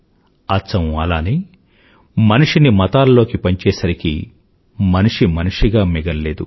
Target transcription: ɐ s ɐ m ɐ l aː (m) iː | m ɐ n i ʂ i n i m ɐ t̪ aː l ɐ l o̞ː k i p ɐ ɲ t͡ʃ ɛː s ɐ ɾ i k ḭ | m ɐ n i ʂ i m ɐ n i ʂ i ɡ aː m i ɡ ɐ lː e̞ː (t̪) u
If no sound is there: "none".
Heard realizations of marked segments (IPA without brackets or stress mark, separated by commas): n, d̪